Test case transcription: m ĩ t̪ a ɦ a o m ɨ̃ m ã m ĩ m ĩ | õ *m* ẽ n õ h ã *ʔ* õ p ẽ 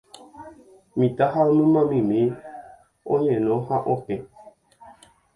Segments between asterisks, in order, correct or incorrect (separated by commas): incorrect, correct